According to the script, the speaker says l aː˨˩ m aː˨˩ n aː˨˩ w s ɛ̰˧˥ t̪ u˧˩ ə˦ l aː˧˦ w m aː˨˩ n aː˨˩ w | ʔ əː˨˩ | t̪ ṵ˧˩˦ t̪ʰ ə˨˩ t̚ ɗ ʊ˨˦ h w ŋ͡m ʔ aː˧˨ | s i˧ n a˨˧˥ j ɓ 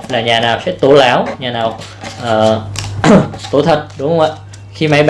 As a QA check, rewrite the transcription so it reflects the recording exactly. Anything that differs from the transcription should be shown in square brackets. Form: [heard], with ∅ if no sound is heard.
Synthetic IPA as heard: l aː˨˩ [ɲ] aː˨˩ n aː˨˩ w s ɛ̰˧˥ t̪ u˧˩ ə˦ l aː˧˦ w [ɲ] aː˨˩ n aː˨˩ w | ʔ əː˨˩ | t̪ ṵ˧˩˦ t̪ʰ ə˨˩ t̚ ɗ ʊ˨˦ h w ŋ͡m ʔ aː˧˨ | [x] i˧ [m] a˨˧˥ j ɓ